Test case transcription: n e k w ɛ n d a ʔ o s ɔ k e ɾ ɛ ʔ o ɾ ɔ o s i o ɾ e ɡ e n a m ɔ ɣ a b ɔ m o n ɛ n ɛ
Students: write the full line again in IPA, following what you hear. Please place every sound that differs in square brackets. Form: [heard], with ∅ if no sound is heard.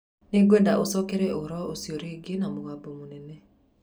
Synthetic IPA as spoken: n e [ɡ] w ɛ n d a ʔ o s ɔ k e ɾ ɛ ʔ o ɾ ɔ o s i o ɾ e ɡ e n a m [o] ɣ a b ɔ m o n ɛ n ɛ